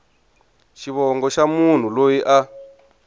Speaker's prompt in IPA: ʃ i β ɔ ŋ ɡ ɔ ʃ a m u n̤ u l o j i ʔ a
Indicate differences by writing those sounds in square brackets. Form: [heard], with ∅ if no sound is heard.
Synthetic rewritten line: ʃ i β ɔ ŋ ɡ ɔ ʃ a m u n̤ u l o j i ʔ a